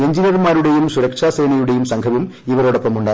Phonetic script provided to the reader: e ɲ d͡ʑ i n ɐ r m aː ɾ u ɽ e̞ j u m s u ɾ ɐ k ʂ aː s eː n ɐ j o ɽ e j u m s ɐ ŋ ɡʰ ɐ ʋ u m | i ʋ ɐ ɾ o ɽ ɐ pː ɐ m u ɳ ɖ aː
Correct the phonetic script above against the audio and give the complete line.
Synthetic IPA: e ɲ d͡ʑ i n ɐ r m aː ɾ u ɽ e̞ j u m s u ɾ ɐ k ʂ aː s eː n ɐ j u ɽ e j u m s ɐ ŋ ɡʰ ɐ ʋ u m | i ʋ ɐ ɾ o ɽ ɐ pː ɐ m u ɳ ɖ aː